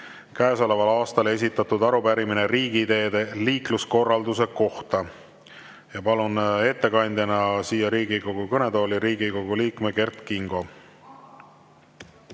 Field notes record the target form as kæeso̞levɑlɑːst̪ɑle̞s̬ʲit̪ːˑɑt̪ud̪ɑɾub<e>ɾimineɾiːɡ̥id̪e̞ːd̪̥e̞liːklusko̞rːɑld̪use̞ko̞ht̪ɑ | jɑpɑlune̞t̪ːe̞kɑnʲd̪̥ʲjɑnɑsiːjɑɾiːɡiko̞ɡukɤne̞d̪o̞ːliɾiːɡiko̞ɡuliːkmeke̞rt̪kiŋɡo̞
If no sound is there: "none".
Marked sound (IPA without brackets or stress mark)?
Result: æ